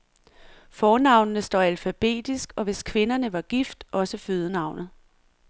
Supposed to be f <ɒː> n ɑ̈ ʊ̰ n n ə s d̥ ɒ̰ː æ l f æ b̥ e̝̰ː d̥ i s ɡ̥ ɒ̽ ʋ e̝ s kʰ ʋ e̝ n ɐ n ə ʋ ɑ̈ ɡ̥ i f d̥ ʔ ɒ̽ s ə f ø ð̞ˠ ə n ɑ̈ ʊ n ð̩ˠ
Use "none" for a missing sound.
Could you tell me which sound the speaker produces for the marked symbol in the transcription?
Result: ɒː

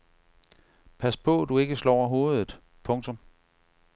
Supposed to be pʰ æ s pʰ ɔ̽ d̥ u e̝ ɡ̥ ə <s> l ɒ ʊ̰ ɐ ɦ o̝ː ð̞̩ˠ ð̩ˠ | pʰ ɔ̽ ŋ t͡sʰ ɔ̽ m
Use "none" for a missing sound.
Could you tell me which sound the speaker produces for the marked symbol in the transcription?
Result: s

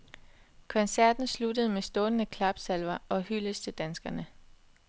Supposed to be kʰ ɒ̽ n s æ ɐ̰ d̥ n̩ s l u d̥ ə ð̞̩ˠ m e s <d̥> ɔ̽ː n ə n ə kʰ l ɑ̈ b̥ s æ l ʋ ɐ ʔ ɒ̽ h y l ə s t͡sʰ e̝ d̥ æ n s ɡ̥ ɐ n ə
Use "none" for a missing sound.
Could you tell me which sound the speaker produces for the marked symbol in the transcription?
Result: d̥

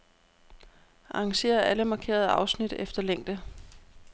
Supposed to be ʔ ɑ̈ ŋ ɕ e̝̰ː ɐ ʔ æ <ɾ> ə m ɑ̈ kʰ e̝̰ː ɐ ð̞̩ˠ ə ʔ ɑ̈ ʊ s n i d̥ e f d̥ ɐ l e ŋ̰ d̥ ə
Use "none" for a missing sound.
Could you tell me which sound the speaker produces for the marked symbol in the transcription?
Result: l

